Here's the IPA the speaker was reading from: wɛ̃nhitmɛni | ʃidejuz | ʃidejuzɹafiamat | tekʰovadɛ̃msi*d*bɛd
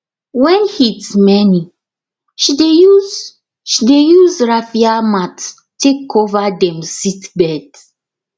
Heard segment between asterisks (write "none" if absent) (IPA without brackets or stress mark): t